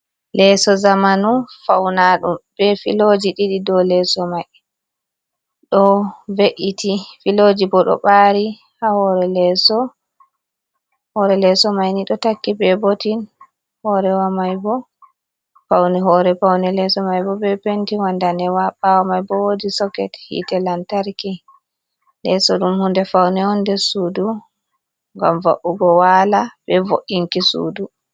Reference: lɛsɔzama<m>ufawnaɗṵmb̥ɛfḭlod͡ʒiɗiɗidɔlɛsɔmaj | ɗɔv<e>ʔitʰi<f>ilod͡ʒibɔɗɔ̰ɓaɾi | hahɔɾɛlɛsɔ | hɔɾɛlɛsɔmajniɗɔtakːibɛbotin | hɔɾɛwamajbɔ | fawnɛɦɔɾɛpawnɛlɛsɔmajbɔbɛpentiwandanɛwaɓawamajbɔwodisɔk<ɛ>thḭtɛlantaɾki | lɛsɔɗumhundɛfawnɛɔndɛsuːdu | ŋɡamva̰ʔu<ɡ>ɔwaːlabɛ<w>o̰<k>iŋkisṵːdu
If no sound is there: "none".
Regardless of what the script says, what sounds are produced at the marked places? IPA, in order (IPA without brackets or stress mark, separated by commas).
n, e, f, ɛ, ɡ, v, ʔ